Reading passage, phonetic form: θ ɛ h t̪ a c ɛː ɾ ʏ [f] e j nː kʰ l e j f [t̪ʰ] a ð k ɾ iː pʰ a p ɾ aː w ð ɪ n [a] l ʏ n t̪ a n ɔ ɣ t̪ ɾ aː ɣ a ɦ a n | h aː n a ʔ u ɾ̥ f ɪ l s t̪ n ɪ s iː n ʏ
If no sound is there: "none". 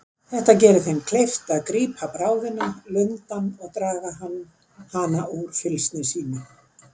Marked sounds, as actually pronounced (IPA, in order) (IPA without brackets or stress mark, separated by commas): θ, t̪, a